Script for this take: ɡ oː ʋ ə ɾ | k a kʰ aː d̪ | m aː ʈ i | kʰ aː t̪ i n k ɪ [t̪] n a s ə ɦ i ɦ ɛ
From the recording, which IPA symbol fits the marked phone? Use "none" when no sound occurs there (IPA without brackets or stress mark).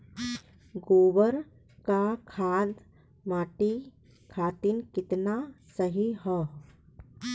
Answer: t̪